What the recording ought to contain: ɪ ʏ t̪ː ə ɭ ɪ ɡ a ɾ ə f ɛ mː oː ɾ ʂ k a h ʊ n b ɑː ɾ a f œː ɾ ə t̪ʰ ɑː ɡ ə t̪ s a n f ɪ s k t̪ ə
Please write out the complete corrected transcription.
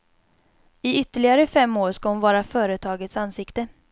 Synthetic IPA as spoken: ɪ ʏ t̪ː ə ɭ ɪ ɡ a ɾ ə f ɛ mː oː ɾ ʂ k a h ʊ n v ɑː ɾ a f œː ɾ ə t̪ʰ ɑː ɡ ə t̪ s a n s ɪ k t̪ ə